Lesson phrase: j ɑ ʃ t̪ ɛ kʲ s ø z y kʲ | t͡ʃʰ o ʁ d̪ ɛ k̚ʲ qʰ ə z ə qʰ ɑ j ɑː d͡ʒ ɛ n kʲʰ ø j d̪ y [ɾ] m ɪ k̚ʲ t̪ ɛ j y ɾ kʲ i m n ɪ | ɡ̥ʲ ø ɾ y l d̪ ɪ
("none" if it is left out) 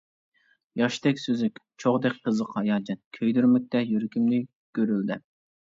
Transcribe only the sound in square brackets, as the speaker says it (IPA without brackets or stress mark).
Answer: ɾ